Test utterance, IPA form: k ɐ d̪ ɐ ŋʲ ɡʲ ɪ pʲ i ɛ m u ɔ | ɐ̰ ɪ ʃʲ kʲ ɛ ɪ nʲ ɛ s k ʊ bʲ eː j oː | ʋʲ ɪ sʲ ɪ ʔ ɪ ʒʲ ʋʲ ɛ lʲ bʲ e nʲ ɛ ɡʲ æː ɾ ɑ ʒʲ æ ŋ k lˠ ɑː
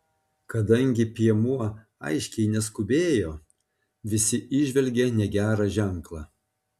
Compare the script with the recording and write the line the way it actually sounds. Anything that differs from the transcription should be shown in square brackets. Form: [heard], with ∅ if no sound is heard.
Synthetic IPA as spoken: k ɐ d̪ ɐ ŋʲ ɡʲ ɪ pʲ i ɛ m u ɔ | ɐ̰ ɪ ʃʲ kʲ ɛ ɪ nʲ ɛ s k ʊ bʲ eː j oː | ʋʲ ɪ sʲ ɪ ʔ ɪ ʒʲ ʋʲ ɛ lʲ [ɡʲ] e nʲ ɛ ɡʲ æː ɾ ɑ ʒʲ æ ŋ k lˠ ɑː